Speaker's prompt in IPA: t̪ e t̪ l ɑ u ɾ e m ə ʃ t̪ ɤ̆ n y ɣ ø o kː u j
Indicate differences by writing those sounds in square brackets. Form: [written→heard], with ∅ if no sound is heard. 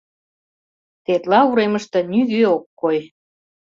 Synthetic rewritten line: t̪ e t̪ l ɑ u ɾ e m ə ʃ t̪ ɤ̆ n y ɣ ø o kː [u→o] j

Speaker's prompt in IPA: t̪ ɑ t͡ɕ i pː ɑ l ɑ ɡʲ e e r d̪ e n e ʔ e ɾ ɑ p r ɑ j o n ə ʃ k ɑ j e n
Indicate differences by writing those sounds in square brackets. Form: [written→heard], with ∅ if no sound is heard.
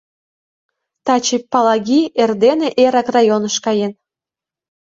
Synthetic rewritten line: t̪ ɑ t͡ɕ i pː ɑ l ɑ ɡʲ [e→i] e r d̪ e n e ʔ e ɾ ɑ [p→k] r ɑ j o n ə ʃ k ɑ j e n

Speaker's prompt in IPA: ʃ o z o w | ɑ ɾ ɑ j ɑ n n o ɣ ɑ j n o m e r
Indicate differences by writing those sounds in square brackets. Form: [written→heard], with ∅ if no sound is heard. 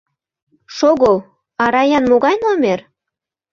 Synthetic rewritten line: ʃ o [z→ɣ] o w | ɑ ɾ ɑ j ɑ n [n→m] o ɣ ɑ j n o m e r

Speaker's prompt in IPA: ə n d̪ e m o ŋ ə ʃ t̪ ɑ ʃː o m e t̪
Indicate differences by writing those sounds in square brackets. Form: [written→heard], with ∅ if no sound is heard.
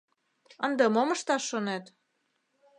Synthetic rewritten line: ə n d̪ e m o [ŋ→m] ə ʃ t̪ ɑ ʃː o [m→n] e t̪

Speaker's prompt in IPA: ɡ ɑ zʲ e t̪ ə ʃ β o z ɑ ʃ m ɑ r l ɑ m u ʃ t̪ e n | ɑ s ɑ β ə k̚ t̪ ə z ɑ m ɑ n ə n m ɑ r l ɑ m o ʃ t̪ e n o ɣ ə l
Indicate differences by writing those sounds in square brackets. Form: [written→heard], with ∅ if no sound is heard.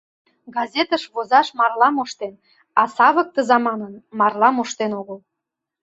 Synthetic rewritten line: ɡ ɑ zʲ e t̪ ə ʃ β o z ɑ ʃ m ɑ r l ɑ m [u→o] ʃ t̪ e n | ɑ s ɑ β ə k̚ t̪ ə z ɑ m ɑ n ə n m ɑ r l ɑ m o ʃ t̪ e n o ɣ ə l

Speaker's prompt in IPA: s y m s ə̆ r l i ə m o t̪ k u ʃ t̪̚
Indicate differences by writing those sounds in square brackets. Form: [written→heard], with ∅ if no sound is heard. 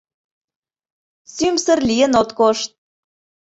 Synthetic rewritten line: s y m s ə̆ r l i ə [m→n] o t̪ k [u→o] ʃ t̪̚

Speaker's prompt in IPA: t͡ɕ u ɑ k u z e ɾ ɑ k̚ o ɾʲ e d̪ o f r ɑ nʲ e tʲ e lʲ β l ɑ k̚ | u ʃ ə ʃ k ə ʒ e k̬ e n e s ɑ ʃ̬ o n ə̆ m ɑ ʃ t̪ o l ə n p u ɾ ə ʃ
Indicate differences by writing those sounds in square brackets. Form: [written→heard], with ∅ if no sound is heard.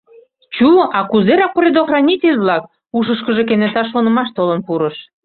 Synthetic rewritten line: t͡ɕ u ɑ k u z e ɾ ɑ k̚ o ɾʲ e d̪ o [f→x] r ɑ nʲ [e→i] tʲ e lʲ β l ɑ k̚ | u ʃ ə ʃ k ə ʒ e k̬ e n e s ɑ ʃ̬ o n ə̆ m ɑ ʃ t̪ o l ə n p u ɾ ə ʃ

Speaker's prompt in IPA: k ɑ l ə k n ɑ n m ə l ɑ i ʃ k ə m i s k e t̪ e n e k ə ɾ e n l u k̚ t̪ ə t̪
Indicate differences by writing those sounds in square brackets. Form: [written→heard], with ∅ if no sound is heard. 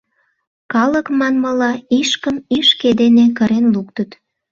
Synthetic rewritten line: k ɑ l ə k [n→m] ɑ n m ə l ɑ i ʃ k ə m i [s→ʃ] k e [t̪→d̪] e n e k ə ɾ e n l u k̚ t̪ ə t̪

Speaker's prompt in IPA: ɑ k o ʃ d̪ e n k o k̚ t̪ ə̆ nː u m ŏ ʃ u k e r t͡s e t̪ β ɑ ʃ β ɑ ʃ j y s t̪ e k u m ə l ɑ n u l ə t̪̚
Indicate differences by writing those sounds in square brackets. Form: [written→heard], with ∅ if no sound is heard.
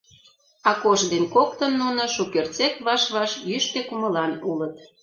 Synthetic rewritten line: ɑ k o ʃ d̪ e n k o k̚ t̪ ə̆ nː u [m→n] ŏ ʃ u k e r t͡s e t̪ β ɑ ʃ β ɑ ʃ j y [s→ʃ] t̪ e k u m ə l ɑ n u l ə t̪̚

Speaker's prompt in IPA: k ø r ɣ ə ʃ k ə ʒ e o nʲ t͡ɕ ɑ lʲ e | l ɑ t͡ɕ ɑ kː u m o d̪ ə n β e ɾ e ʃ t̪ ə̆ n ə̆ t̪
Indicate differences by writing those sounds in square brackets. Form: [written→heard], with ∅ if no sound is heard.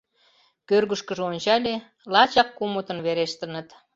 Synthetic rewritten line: k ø r ɣ ə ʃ k ə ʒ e o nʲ t͡ɕ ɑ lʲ e | l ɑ t͡ɕ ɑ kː u m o [d̪→t̪] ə n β e ɾ e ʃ t̪ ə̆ n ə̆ t̪

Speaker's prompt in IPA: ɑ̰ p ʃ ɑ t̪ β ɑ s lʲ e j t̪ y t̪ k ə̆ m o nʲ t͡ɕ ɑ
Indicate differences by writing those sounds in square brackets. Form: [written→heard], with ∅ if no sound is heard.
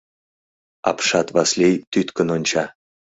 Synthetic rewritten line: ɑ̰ p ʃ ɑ t̪ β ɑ s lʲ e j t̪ y t̪ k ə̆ [m→n] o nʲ t͡ɕ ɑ

